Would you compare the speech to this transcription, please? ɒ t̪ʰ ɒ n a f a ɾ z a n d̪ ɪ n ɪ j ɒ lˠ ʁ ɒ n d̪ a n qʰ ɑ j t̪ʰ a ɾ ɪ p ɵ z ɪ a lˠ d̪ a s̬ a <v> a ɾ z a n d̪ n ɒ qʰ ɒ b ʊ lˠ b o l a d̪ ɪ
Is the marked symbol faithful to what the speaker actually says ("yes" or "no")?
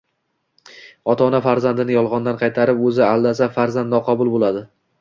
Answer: no